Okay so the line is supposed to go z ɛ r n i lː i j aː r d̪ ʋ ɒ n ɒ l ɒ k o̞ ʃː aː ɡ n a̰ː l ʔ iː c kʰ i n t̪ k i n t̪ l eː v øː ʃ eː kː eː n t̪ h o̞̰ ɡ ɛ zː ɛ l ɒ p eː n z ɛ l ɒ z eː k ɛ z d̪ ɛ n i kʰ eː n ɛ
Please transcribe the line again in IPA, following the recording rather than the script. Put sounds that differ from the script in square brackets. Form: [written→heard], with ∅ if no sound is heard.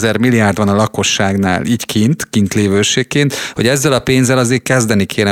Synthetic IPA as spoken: z ɛ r [n→m] i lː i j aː r d̪ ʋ ɒ n ɒ l ɒ k o̞ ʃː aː ɡ n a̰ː l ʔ iː c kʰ i n t̪ k i n t̪ l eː v øː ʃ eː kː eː n t̪ h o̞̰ [ɡ→ɟ] ɛ zː ɛ l ɒ p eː n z ɛ l ɒ z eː k ɛ z d̪ ɛ n i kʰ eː n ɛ